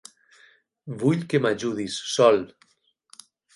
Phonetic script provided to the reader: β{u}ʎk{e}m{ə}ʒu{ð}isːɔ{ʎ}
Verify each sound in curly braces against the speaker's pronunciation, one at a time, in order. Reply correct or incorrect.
correct, correct, incorrect: a, correct, incorrect: l

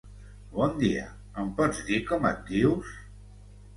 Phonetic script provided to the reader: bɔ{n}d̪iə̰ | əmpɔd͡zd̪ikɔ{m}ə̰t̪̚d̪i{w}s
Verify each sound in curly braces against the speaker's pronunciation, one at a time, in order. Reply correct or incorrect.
correct, correct, correct

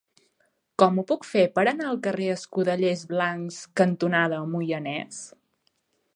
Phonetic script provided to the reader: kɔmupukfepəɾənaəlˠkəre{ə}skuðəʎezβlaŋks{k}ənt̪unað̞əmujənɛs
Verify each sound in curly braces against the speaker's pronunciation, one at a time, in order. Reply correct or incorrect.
correct, correct

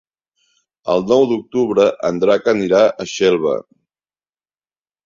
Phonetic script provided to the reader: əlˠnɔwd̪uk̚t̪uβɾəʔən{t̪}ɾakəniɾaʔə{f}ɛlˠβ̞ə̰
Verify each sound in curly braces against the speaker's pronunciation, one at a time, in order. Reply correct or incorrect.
incorrect: d̪, incorrect: ʃ

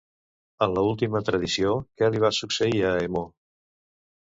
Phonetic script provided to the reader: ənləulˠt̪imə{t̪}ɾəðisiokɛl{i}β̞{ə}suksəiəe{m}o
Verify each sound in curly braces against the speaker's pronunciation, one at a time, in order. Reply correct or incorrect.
correct, correct, incorrect: a, correct

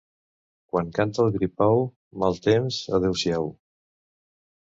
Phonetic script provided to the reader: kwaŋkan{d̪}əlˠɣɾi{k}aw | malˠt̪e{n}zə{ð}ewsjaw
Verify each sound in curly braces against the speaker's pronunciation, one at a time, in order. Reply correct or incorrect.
incorrect: t̪, incorrect: p, incorrect: m, correct

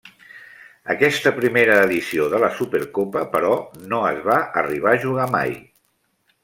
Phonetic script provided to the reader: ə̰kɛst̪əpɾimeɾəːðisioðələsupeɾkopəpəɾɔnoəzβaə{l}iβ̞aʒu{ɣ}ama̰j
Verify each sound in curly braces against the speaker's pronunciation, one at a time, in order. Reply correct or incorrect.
incorrect: r, correct

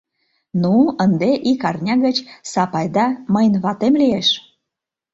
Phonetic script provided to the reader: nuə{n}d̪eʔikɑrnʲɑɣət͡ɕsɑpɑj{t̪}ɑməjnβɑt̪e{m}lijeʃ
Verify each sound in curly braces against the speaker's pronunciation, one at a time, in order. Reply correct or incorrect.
correct, incorrect: d̪, correct

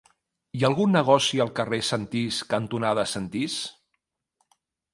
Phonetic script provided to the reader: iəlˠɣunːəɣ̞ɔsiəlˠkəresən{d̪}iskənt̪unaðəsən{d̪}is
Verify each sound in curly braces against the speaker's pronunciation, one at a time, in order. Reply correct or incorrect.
incorrect: t̪, incorrect: t̪

